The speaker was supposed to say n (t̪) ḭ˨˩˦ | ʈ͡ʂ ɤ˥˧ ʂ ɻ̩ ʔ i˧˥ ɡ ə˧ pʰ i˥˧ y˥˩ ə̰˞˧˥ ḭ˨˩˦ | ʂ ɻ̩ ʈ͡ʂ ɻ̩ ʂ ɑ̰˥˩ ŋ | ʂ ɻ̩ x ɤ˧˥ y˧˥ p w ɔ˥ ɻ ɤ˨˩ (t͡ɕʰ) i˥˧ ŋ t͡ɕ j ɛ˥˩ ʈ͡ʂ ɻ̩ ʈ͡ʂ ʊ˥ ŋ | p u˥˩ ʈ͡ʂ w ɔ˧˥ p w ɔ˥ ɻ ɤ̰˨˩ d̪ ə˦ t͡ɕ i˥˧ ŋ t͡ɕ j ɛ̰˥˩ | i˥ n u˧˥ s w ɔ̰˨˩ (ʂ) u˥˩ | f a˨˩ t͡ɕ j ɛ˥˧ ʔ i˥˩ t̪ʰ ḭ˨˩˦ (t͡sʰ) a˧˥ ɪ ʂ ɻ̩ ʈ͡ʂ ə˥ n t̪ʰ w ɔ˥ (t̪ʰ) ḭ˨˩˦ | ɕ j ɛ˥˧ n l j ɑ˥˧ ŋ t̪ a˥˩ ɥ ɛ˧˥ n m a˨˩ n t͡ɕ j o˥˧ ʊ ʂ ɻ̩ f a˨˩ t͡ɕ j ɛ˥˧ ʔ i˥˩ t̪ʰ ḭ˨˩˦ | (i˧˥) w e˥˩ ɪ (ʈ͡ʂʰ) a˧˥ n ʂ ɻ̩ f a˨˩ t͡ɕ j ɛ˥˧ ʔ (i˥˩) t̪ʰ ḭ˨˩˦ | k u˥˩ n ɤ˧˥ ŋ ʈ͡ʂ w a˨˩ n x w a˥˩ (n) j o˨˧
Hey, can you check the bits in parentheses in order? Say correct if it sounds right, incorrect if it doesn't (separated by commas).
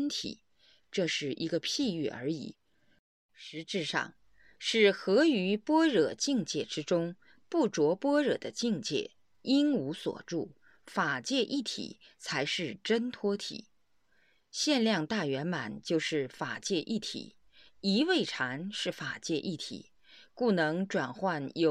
incorrect, incorrect, incorrect, correct, correct, correct, correct, correct, correct